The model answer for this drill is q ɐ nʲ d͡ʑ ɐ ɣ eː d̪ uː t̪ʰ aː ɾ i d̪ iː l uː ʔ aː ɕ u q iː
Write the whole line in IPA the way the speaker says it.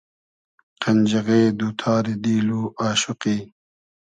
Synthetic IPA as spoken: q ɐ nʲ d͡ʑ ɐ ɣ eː d̪ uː t̪ʰ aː ɾ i d̪ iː l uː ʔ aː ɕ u q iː

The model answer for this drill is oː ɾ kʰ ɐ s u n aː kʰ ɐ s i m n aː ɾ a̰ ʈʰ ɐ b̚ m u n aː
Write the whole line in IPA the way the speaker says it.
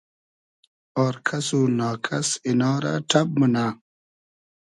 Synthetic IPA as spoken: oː ɾ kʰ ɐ s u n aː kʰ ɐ s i n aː ɾ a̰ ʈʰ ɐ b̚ m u n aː

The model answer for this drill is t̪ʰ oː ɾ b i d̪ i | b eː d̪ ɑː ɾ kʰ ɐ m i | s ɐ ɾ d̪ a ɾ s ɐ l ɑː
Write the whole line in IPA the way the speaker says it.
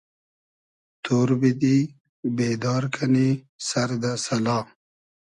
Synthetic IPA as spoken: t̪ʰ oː ɾ b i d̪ i | b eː d̪ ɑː ɾ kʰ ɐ n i | s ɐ ɾ d̪ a s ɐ l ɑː

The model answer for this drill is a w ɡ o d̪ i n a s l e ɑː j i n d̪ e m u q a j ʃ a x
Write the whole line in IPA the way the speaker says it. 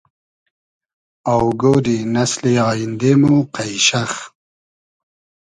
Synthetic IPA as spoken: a w ɡ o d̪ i n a s l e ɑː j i n d̪ e m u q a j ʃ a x

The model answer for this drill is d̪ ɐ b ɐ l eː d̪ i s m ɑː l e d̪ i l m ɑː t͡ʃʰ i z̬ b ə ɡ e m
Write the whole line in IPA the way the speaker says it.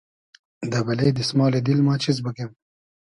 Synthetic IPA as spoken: d̪ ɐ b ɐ l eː d̪ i s m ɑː l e d̪ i l m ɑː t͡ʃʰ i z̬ b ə k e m

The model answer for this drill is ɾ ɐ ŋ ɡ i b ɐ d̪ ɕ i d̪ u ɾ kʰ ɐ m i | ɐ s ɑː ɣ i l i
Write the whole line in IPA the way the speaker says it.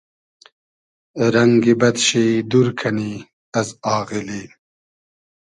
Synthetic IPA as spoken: ɾ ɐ ŋ ɡ i b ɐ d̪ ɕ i d̪ u ɾ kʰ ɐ n i | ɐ z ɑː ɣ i l i

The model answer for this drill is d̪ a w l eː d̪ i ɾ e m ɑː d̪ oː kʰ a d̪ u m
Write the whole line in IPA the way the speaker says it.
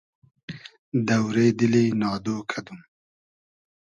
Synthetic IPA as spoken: d̪ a w ɾ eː d̪ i l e n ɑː d̪ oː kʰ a d̪ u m

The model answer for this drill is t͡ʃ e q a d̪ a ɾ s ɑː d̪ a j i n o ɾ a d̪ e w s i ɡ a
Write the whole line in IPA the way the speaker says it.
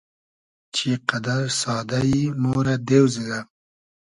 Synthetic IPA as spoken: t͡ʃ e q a d̪ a ɾ s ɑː d̪ a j i n o ɾ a d̪ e w z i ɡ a

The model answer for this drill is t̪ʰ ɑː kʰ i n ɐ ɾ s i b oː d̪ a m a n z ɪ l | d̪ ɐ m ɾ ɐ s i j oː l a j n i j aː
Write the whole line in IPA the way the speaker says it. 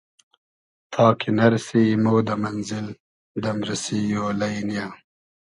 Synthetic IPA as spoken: t̪ʰ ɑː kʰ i n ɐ ɾ s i m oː d̪ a m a n z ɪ l | d̪ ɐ m ɾ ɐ s i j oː l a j n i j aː

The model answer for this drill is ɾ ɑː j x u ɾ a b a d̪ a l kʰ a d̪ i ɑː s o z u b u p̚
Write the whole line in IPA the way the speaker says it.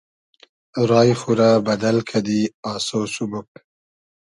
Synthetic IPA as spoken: ɾ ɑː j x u ɾ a b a d̪ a l kʰ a d̪ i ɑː s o s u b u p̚

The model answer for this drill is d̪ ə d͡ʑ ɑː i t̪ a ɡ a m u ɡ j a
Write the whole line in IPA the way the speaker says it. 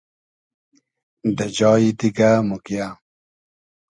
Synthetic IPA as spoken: d̪ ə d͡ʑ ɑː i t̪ i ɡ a m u k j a

